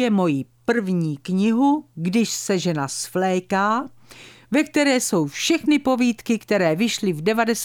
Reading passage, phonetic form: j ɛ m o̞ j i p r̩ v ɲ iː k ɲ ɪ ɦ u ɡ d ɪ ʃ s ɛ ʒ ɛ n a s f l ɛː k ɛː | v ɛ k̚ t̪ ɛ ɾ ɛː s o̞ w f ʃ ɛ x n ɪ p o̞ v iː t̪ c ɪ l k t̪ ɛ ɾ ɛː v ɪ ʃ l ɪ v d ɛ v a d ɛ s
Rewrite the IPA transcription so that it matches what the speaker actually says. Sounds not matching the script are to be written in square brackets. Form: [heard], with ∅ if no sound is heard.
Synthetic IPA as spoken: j ɛ m o̞ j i p r̩ v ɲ iː k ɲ ɪ ɦ u ɡ d ɪ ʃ s ɛ ʒ ɛ n a s f l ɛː k [aː] | v ɛ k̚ t̪ ɛ ɾ ɛː s o̞ w f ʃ ɛ x n ɪ p o̞ v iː t̪ [k] ɪ [∅] k t̪ ɛ ɾ ɛː v ɪ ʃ l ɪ v d ɛ v a d ɛ s